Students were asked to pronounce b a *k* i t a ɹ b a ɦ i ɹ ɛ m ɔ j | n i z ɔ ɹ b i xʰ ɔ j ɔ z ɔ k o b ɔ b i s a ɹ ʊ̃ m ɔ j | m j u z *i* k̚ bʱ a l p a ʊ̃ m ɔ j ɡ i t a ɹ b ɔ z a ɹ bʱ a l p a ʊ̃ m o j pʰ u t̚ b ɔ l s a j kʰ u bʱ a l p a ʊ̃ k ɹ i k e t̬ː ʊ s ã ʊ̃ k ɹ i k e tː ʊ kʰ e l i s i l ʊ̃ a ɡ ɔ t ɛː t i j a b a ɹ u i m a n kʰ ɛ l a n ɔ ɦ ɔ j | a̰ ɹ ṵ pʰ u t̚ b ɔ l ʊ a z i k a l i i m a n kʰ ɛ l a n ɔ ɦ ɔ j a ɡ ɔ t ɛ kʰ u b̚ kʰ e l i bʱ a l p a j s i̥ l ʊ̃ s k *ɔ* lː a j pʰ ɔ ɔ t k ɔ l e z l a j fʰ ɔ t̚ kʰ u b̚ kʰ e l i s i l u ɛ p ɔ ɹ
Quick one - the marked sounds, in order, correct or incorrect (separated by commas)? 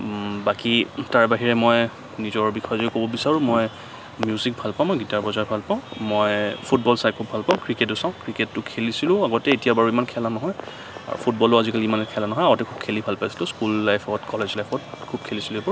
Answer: correct, correct, incorrect